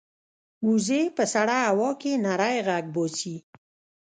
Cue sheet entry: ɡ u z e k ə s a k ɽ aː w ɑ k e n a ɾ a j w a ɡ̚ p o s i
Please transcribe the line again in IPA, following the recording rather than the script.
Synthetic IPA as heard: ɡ u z e p ə s a ɽ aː w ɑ k e n a ɾ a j ɣ a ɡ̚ b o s i